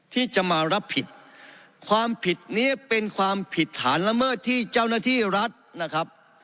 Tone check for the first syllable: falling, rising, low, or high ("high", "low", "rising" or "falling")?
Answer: falling